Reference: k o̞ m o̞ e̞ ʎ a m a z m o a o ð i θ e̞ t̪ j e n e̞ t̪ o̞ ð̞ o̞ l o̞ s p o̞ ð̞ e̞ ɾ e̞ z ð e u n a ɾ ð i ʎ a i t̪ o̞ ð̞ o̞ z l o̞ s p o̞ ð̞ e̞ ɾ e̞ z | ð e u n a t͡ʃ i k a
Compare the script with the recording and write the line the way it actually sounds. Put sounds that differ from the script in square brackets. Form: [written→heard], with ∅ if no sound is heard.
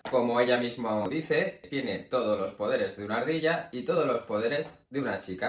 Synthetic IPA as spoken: k o̞ m o̞ e̞ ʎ a m [a→i] z m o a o ð i θ e̞ t̪ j e n e̞ t̪ o̞ ð̞ o̞ l o̞ s p o̞ ð̞ e̞ ɾ e̞ z ð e u n a ɾ ð i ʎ a i t̪ o̞ ð̞ o̞ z l o̞ s p o̞ ð̞ e̞ ɾ e̞ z | ð e u n a t͡ʃ i k a

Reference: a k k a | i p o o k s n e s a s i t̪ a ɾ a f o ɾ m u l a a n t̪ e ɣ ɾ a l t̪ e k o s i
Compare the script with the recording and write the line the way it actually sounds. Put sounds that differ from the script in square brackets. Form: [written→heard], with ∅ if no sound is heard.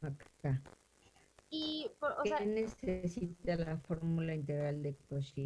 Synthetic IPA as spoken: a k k a | i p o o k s n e s [a→e] s i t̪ a [ɾ→l] a f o ɾ m u l a [a→i] n t̪ e ɣ ɾ a l [t̪→d̪] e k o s i

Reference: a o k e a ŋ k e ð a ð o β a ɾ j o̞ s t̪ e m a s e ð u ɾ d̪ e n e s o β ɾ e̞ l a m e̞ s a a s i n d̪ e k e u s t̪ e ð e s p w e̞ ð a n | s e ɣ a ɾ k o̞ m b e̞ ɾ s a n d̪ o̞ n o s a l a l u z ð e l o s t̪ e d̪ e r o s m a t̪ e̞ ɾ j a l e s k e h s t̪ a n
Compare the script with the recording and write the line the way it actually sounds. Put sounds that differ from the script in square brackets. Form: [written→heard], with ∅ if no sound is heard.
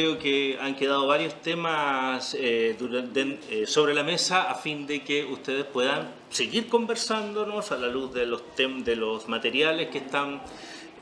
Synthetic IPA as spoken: [a→e] o k e a ŋ k e ð a ð o β a ɾ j o̞ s t̪ e m a s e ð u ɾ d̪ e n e s o β ɾ e̞ l a m e̞ s a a [s→f] i n d̪ e k e u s t̪ e ð e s p w e̞ ð a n | s e ɣ [a→i] ɾ k o̞ m b e̞ ɾ s a n d̪ o̞ n o s a l a l u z ð e l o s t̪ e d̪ e [r→l] o s m a t̪ e̞ ɾ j a l e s k e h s t̪ a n

